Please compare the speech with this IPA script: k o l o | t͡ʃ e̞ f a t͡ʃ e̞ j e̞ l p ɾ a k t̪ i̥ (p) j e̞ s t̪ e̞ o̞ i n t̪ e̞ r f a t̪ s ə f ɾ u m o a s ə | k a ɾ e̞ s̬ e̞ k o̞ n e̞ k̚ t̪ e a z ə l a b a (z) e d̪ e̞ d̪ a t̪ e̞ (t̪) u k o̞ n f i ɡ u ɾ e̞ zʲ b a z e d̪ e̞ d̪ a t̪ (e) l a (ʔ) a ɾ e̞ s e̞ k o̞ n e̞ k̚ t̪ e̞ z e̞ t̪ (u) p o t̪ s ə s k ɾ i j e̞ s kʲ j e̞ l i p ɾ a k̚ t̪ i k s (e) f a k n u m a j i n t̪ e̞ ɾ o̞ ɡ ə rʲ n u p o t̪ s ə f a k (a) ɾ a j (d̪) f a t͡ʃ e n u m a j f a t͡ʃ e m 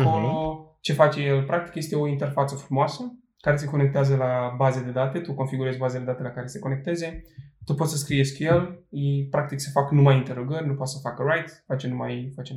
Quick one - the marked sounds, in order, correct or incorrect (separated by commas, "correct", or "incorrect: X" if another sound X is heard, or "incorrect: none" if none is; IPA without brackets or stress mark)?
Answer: incorrect: k, correct, correct, correct, incorrect: k, correct, correct, incorrect: ə, incorrect: t̪